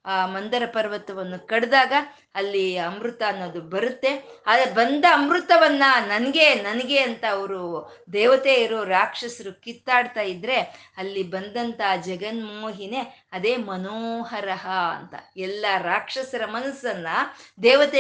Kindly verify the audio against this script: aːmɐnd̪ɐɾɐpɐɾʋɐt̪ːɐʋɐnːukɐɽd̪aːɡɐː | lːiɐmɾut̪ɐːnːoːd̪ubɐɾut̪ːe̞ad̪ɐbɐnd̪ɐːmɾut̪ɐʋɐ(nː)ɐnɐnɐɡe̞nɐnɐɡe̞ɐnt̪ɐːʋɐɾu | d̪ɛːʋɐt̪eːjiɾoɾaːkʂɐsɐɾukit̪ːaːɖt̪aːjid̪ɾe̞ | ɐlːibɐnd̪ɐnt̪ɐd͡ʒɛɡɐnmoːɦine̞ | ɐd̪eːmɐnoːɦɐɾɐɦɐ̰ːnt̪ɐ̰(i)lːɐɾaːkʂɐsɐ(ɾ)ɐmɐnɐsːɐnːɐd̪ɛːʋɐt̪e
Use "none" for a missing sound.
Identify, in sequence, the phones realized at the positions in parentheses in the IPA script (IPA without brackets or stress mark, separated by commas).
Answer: nː, ɛ, ɾ